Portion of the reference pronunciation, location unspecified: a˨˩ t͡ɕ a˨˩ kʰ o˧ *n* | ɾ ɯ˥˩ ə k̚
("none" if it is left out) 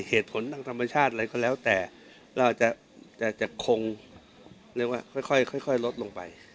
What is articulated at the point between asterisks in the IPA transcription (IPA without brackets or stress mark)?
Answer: ŋ